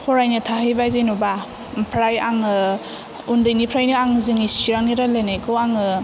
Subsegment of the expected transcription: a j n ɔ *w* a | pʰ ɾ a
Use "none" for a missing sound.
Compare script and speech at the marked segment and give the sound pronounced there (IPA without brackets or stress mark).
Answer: b